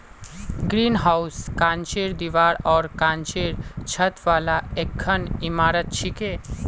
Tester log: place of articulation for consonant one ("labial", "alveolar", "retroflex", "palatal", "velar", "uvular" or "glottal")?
velar